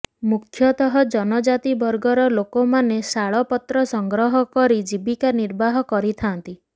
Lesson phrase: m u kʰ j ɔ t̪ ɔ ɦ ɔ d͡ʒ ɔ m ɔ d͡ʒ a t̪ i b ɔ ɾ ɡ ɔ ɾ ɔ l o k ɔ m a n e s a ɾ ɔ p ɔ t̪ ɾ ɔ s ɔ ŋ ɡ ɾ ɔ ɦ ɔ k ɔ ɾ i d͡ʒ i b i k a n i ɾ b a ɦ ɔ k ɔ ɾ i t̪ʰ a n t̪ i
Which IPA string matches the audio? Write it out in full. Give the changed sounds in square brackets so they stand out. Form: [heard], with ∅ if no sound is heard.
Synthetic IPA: m u kʰ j ɔ t̪ ɔ ɦ ɔ d͡ʒ ɔ [n] ɔ d͡ʒ a t̪ i b ɔ ɾ ɡ ɔ ɾ ɔ l o k [o] m a n e s a [ɭ] ɔ p ɔ t̪ ɾ ɔ s ɔ ŋ ɡ ɾ ɔ ɦ ɔ k ɔ ɾ i d͡ʒ i b i k a n i ɾ b a ɦ ɔ k ɔ ɾ i t̪ʰ a n t̪ i